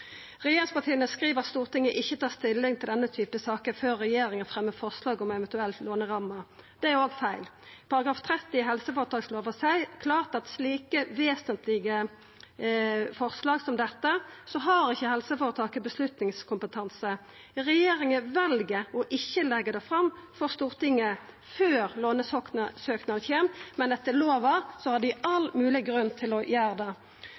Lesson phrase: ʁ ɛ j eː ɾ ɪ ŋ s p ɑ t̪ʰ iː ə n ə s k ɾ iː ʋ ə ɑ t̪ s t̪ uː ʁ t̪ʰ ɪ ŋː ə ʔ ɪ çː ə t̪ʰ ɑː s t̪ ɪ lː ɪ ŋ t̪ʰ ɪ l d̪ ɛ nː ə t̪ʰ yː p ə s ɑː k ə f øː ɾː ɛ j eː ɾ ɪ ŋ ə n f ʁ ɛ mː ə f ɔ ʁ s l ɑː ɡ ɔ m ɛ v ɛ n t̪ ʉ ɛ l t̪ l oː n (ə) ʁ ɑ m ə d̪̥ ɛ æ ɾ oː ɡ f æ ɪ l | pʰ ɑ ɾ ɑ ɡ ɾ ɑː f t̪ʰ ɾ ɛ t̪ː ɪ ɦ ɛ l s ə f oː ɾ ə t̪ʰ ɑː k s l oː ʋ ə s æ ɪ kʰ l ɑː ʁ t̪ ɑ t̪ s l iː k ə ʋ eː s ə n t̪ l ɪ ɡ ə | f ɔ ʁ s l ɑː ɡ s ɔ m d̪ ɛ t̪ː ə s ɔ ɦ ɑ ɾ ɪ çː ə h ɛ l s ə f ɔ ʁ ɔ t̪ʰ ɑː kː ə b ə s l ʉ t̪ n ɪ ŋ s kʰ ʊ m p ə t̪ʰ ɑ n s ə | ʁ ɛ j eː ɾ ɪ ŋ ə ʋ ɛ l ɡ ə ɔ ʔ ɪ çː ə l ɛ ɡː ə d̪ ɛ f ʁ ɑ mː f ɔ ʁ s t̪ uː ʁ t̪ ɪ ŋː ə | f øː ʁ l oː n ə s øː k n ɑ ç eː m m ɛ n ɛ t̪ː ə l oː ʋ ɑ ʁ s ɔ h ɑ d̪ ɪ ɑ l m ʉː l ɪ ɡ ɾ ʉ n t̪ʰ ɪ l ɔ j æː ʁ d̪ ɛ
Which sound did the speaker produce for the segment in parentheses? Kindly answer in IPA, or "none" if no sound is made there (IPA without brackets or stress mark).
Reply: ə